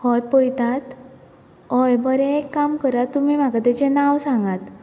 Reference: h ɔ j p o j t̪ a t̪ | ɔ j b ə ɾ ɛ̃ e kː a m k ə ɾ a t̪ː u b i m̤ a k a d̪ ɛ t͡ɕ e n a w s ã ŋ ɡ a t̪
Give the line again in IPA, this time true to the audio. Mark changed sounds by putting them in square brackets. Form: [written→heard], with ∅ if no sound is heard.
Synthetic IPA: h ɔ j p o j t̪ a t̪ | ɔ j b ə ɾ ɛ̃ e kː a m k ə ɾ a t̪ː u [b→m] i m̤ a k a [d̪→t̪] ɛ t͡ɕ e n a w s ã ŋ ɡ a t̪